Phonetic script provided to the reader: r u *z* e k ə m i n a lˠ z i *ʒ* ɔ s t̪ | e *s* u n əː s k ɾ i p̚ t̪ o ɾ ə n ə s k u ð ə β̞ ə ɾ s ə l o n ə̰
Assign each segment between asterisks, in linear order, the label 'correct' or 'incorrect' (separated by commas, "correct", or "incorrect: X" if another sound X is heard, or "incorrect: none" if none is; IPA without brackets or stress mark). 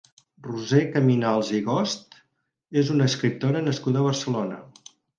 correct, incorrect: ɣ, incorrect: z